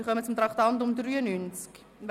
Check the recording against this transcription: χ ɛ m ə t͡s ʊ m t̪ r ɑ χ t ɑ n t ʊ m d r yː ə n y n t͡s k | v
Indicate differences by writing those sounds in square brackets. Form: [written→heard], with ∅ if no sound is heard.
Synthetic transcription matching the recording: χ [ɛ→œ] m ə t͡s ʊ m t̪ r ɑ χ t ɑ n t ʊ m d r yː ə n y n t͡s k | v